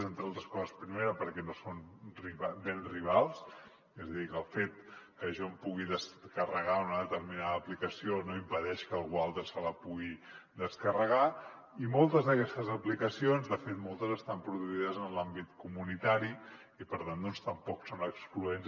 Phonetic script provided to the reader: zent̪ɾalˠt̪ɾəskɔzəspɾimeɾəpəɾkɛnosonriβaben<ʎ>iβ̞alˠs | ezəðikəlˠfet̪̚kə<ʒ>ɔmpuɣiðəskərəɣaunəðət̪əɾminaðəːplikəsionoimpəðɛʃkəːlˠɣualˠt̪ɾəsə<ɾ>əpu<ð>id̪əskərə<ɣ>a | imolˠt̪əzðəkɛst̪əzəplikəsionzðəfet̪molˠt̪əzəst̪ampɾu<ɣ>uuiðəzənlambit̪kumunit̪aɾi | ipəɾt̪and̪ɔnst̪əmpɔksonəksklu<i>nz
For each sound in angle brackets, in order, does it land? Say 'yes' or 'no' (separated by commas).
no, yes, no, no, yes, no, no